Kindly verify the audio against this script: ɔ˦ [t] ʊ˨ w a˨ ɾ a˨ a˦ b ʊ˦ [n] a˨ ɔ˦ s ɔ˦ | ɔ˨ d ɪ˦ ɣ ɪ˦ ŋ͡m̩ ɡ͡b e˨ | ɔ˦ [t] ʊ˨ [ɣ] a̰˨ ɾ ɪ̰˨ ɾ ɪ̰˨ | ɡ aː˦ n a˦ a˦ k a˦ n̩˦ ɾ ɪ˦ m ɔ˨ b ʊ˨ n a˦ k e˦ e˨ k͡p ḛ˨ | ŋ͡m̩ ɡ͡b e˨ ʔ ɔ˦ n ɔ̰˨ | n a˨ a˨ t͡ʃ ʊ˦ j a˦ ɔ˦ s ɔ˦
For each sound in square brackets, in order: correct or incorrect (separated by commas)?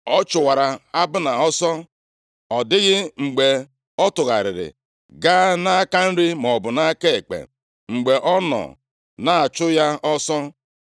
incorrect, correct, correct, correct